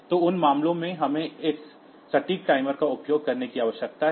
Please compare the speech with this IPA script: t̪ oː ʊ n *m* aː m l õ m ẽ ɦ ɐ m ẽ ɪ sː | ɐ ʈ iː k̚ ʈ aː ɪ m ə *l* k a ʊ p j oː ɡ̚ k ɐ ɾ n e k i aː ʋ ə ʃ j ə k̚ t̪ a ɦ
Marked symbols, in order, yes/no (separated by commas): yes, no